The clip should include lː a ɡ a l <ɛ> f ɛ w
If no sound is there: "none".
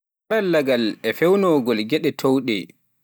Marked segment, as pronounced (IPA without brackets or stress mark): ɛ